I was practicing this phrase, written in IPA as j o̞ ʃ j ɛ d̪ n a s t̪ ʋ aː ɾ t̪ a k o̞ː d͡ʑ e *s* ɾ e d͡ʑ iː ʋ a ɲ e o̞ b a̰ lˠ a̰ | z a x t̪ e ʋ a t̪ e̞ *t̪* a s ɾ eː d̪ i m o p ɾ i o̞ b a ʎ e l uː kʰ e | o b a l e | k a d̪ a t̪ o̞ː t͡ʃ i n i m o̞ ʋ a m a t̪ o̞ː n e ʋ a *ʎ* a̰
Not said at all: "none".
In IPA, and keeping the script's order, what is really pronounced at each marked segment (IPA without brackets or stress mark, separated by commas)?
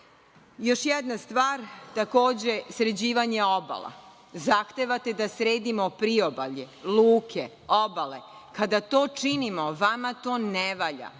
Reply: s, d̪, ʎ